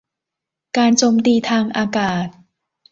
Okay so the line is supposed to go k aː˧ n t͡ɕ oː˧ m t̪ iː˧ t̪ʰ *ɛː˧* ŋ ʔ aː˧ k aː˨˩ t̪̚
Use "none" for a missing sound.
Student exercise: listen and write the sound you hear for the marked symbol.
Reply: aː˧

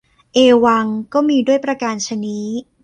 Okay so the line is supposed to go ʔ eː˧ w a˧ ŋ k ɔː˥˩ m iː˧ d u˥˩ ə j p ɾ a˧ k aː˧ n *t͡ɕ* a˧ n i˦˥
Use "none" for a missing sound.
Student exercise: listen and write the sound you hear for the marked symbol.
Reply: t͡ɕʰ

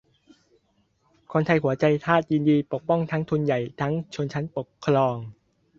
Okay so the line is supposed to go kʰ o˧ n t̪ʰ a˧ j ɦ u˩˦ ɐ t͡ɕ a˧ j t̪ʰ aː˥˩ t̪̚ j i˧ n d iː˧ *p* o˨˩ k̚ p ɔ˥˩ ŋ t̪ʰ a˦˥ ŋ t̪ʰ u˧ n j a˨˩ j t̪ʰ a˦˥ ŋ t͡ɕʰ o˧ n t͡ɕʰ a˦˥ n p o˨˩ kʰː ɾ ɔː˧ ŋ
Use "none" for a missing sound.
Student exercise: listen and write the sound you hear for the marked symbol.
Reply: p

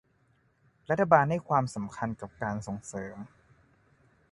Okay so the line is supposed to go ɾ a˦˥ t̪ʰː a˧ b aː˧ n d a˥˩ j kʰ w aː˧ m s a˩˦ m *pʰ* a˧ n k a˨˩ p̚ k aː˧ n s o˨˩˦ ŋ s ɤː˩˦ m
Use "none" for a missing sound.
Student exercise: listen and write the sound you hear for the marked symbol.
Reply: kʰ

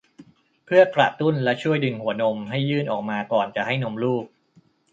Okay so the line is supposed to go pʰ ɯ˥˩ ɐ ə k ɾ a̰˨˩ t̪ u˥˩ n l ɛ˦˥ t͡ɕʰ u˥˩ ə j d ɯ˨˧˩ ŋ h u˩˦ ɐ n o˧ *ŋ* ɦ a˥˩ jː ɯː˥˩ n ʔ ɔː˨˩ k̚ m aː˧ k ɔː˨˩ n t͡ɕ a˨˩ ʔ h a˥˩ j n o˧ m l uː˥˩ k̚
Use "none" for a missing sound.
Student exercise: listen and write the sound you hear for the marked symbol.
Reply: m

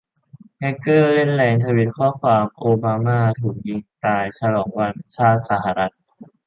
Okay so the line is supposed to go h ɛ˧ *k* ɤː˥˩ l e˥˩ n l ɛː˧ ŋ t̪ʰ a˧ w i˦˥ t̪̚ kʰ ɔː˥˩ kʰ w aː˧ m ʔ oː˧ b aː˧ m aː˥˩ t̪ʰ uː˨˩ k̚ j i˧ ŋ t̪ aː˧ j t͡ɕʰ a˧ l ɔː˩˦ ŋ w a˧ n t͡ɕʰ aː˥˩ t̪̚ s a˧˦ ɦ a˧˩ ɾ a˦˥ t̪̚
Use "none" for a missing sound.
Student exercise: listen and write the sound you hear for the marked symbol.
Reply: k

